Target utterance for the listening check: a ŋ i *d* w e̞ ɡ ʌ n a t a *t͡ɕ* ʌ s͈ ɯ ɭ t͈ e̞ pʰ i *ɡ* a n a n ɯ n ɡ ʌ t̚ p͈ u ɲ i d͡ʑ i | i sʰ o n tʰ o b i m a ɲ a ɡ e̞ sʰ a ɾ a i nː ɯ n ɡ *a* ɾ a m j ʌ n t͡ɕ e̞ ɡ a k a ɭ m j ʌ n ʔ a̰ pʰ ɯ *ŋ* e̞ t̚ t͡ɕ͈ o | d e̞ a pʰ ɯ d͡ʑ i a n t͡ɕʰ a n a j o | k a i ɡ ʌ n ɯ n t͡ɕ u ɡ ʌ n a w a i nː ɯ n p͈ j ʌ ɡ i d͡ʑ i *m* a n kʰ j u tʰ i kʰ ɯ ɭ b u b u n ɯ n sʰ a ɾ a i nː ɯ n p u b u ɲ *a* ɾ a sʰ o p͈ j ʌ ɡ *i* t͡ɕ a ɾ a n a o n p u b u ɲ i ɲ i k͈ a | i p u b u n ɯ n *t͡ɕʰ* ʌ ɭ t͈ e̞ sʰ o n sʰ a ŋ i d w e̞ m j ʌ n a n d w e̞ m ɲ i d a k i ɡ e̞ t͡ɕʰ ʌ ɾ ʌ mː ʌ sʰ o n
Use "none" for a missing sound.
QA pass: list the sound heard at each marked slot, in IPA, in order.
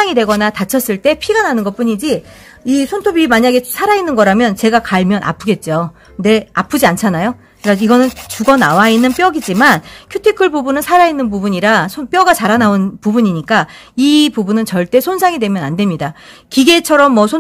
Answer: d, t͡ɕʰ, ɡ, ʌ, ɡ, m, i, a, t͡ɕ

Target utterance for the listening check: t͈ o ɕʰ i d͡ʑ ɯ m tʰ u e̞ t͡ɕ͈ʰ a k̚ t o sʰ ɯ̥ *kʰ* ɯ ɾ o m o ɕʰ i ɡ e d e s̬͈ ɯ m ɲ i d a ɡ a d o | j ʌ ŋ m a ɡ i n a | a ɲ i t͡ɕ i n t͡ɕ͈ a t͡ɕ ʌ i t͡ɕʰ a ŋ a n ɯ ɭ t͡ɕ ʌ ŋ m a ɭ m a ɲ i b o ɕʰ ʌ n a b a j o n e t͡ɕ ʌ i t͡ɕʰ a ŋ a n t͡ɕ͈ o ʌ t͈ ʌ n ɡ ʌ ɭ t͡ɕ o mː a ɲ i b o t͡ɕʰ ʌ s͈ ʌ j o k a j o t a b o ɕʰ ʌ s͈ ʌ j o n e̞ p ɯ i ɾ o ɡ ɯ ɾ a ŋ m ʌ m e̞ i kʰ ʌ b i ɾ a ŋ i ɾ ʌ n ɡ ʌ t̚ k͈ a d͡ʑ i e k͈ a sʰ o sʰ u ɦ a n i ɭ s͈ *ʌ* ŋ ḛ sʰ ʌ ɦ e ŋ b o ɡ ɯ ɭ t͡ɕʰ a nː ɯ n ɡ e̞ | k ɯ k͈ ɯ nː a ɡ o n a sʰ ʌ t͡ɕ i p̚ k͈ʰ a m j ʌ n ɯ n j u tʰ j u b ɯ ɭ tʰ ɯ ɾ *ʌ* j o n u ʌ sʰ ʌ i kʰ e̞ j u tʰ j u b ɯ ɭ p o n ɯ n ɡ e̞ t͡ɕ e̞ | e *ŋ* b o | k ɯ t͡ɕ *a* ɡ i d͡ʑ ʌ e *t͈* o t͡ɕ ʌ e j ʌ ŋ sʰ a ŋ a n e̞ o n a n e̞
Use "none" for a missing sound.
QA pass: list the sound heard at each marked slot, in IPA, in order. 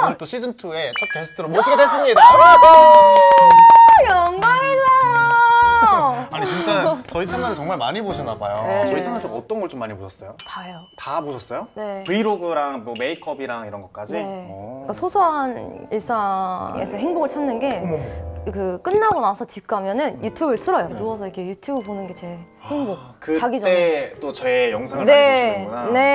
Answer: tʰ, a, ʌ, ŋ, a, t͈

